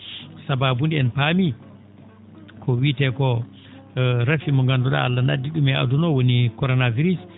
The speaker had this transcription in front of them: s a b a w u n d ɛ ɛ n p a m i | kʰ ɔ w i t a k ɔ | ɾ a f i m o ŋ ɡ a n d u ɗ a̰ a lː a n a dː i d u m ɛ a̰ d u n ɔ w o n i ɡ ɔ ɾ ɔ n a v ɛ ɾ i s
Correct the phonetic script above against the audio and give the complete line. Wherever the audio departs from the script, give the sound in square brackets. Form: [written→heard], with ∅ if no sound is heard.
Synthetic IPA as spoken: s a b a [w→b] u n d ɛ ɛ n p a m i | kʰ ɔ w i t [a→ɛ] k ɔ | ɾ a f i m [o→ɔ] ŋ ɡ a n d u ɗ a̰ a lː a n a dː i [d→ɗ] u m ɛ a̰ d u n ɔ w o n i [ɡ→k] ɔ ɾ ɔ n a v [ɛ→i] ɾ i s